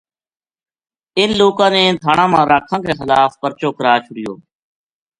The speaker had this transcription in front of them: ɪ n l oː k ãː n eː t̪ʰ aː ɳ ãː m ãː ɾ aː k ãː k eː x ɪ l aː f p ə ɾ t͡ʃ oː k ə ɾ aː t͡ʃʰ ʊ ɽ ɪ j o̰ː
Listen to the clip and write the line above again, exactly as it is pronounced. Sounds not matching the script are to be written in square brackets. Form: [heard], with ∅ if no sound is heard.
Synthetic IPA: ɪ n l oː k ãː n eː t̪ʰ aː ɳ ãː m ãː ɾ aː [kʰ] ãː k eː x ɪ l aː f p ə ɾ t͡ʃ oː k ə ɾ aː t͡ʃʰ ʊ ɽ ɪ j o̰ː